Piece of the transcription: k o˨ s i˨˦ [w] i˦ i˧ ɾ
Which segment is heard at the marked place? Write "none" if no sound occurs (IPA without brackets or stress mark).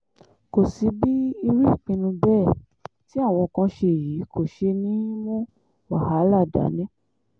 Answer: b